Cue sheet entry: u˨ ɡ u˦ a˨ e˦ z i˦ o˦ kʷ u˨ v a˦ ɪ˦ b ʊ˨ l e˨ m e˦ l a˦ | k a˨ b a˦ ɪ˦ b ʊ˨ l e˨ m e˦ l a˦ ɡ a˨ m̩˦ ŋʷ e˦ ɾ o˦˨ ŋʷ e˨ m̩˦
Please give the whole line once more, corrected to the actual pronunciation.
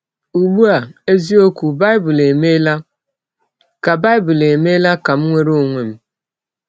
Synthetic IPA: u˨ ɡ͡b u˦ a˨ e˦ z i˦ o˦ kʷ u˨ b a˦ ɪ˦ b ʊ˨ l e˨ m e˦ l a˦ | k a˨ b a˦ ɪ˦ b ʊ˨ l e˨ m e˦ l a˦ k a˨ m̩˦ ŋʷ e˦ ɾ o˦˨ ŋʷ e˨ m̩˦